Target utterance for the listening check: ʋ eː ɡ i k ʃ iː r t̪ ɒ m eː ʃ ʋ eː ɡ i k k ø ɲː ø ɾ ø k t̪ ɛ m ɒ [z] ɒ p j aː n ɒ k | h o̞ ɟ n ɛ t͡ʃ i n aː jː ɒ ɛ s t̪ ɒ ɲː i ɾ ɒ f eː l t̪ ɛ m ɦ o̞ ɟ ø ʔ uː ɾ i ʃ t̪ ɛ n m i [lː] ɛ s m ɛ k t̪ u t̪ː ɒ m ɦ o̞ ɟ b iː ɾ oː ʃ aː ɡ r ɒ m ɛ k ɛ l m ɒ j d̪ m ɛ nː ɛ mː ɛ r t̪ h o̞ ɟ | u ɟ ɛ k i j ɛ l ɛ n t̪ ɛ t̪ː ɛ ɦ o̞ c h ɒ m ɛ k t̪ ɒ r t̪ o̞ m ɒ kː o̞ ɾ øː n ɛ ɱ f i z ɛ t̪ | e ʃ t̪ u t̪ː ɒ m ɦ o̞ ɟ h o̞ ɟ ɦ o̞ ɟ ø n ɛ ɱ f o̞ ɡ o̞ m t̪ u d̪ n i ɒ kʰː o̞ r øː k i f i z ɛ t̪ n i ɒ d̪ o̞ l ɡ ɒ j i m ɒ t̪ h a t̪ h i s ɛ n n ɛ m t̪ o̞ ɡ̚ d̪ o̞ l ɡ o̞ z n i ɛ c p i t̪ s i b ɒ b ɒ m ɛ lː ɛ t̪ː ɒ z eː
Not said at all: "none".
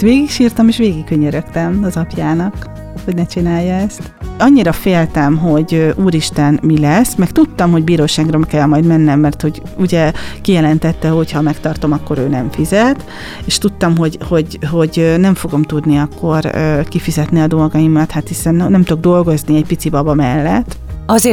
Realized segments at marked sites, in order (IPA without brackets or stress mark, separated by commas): z, l